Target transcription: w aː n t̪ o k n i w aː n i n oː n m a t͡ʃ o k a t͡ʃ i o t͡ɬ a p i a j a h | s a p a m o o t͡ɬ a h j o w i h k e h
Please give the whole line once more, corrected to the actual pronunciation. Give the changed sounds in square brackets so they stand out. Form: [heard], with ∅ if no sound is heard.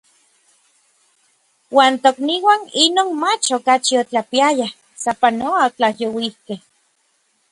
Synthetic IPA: w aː n t̪ o k n i w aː n i n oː n m a t͡ʃ o k a t͡ʃ i o t͡ɬ a p i a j a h | s a p a [n] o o t͡ɬ a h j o w i h k e h